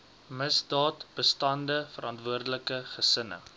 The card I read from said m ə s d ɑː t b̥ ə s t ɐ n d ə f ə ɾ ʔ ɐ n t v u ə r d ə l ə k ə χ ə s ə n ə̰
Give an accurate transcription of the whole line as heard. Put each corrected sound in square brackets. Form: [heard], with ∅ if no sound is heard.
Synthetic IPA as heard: m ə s d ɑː t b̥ ə s t ɐ n d ə f ə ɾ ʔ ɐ n t v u ə r d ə l ə k ə χ ə s ə n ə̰